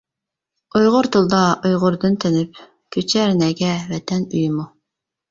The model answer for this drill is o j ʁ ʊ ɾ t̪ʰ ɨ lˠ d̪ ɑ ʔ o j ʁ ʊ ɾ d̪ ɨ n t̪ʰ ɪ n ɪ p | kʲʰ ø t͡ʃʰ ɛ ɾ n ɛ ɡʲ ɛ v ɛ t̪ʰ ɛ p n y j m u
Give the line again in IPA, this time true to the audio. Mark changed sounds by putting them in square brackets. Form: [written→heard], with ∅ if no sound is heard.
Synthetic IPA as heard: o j ʁ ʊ ɾ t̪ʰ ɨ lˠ d̪ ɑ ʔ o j ʁ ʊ ɾ d̪ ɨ n t̪ʰ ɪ n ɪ p | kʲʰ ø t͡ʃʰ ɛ ɾ n ɛ ɡʲ ɛ v ɛ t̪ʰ ɛ [p→∅] n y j m u